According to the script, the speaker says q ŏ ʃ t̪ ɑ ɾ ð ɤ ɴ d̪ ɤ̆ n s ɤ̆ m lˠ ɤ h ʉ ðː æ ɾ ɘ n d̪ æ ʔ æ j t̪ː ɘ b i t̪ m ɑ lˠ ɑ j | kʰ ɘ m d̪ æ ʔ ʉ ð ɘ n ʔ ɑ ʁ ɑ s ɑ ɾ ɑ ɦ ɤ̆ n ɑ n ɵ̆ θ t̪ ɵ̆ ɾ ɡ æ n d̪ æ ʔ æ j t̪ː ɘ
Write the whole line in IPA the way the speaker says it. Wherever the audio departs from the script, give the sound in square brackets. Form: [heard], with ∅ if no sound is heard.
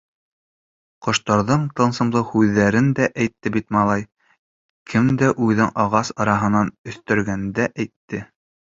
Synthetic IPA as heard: q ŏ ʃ t̪ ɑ ɾ ð ɤ ɴ [t̪] ɤ̆ n s ɤ̆ m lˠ ɤ h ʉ ðː æ ɾ ɘ n d̪ æ ʔ æ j t̪ː ɘ b i t̪ m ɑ lˠ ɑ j | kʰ ɘ m d̪ æ ʔ ʉ ð ɘ [ŋ] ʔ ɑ ʁ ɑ s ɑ ɾ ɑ ɦ ɤ̆ n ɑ n ɵ̆ θ t̪ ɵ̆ ɾ ɡ æ n d̪ æ ʔ æ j t̪ː ɘ